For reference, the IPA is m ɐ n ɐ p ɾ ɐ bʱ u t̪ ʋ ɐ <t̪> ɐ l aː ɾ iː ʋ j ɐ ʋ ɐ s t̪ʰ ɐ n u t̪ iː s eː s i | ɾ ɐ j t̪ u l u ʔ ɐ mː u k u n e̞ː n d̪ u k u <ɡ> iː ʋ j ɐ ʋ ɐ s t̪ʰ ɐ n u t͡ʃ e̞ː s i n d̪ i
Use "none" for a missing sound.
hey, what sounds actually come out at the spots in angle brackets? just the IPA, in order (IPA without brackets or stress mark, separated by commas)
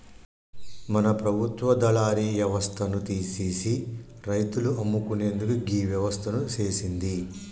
d̪, ɡ